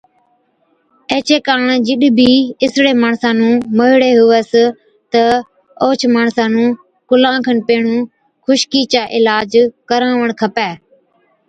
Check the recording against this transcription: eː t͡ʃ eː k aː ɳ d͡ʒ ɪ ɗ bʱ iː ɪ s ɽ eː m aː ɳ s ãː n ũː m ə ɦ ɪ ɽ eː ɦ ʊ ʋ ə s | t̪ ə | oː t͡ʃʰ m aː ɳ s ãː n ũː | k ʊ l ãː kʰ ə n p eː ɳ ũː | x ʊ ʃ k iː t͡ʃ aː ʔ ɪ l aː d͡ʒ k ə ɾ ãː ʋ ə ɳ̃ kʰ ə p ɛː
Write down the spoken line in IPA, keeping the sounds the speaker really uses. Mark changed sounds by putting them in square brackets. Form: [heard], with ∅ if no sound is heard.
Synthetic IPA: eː t͡ʃ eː k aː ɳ d͡ʒ ɪ ɗ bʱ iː ɪ s ɽ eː m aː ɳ s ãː n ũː m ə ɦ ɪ ɽ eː ɦ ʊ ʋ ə s | t̪ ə | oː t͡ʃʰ m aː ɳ s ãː n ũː | k ʊ l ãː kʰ ə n p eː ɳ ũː | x ʊ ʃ k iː t͡ʃ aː ʔ ɪ l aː d͡ʒ k ə ɾ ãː ʋ ə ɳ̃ kʰ ə p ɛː